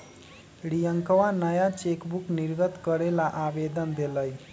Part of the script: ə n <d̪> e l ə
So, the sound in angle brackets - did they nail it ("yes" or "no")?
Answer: yes